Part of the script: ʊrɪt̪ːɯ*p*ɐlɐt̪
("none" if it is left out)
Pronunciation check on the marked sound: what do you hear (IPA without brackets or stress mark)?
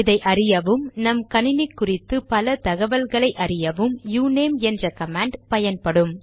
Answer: p